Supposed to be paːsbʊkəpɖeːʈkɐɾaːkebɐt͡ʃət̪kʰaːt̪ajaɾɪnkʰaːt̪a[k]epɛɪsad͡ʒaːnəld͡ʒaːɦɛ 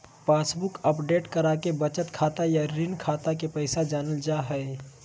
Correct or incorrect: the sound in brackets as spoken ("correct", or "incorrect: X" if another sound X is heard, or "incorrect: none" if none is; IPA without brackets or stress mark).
correct